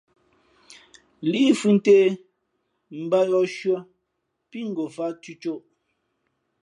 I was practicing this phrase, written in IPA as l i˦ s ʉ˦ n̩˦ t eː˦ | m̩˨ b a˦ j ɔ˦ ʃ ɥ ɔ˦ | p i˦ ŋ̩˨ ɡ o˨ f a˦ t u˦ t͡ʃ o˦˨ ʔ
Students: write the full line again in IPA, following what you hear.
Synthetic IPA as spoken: l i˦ f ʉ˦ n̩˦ t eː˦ | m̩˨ b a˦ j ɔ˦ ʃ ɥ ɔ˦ | p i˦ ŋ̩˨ ɡ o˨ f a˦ t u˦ t͡ʃ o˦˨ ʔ